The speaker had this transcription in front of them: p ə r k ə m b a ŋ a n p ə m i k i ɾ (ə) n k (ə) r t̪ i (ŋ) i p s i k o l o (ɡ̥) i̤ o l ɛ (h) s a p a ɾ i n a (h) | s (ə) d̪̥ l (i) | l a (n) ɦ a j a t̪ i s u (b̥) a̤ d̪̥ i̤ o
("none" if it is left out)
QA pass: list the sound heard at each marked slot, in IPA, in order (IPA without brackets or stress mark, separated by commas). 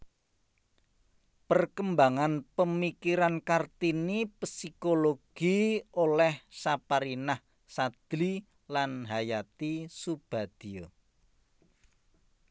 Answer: a, a, n, ɡ̥, h, h, a, i, n, b̥